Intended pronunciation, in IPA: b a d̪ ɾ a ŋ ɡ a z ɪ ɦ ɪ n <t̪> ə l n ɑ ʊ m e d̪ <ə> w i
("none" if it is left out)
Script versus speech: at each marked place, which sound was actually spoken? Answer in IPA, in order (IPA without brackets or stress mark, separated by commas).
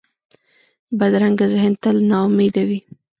t̪, a